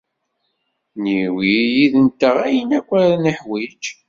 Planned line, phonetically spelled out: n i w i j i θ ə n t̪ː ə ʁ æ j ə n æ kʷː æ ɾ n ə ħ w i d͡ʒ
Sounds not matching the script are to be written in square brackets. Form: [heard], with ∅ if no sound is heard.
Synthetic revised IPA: n i w i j i [ð] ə n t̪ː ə ʁ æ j ə n æ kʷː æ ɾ n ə ħ w i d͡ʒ